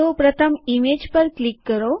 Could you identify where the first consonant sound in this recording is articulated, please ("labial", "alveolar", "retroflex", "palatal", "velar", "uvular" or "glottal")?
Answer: labial